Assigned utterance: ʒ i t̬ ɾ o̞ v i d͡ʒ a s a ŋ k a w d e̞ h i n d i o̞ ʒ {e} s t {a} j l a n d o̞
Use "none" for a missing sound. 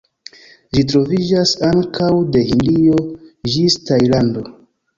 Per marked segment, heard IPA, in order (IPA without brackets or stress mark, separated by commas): i, a